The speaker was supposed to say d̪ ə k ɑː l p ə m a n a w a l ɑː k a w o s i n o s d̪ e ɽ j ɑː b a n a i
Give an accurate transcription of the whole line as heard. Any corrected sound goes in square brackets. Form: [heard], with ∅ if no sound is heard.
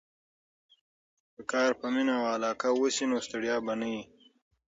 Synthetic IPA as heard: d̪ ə k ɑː [ɾ] p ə m [i] n a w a l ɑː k a w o s i n o s [t̪] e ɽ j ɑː b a n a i